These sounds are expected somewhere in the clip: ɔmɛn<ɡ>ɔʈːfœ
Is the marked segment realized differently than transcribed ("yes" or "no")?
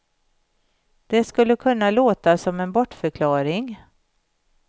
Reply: yes